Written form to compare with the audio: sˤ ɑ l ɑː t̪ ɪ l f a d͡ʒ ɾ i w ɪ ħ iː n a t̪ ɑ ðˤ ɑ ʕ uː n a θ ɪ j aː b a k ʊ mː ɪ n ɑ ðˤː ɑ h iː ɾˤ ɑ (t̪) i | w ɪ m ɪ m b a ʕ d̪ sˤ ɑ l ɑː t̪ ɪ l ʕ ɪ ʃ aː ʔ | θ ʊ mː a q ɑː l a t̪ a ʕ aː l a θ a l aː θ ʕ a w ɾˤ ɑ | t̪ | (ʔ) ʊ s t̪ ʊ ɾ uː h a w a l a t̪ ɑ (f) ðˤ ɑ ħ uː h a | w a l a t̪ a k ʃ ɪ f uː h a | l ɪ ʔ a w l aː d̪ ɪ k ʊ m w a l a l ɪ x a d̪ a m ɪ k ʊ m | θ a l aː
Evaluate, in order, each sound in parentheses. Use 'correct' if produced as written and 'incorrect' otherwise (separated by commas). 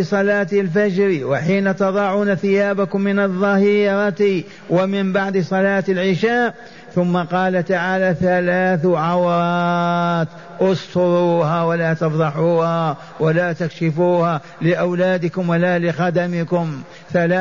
correct, correct, correct